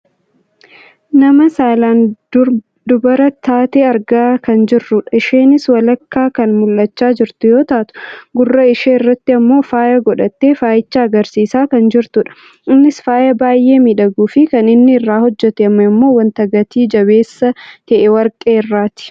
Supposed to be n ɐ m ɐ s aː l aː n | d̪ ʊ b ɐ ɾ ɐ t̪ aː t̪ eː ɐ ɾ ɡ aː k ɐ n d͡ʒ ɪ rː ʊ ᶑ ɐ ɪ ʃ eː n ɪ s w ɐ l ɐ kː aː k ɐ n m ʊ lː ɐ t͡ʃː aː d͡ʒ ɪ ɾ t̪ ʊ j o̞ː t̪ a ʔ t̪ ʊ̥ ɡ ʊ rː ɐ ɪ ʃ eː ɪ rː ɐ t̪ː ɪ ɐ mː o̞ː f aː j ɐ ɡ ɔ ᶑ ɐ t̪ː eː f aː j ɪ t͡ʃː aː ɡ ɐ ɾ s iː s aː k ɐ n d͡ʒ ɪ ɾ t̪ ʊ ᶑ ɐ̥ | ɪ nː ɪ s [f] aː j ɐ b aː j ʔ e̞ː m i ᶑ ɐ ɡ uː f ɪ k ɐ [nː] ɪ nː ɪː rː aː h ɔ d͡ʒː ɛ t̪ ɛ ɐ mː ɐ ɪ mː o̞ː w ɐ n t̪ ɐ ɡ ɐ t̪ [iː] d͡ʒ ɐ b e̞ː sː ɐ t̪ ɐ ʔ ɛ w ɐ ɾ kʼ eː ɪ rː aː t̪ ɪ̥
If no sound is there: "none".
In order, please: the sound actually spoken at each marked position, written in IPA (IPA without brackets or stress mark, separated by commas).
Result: f, n, iː